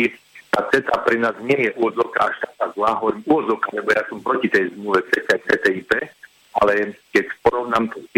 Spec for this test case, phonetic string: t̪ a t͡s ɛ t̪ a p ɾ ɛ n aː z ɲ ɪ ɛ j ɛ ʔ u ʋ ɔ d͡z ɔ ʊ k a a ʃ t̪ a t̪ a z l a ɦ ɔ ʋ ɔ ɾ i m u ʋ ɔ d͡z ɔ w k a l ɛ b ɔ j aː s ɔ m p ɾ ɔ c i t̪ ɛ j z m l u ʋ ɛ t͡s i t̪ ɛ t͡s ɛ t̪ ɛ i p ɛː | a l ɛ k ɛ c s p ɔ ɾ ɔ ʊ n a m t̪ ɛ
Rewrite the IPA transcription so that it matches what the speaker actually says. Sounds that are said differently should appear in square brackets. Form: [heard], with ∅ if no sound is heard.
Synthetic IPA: t̪ a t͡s ɛ t̪ a p ɾ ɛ n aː z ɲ ɪ ɛ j ɛ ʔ u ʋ ɔ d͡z ɔ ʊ k a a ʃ t̪ a t̪ a z l a ɦ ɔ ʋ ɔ ɾ i m u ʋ ɔ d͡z ɔ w k a l ɛ b ɔ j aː s ɔ m p ɾ ɔ c i t̪ ɛ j z m l u ʋ ɛ t͡s [ɛ] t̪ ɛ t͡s ɛ t̪ ɛ i p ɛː | a l ɛ k ɛ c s p ɔ ɾ ɔ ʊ n a m t̪ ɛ